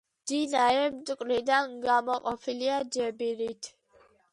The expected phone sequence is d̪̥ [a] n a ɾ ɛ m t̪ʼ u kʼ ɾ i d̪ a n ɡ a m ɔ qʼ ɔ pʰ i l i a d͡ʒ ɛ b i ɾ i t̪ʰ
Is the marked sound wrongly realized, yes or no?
yes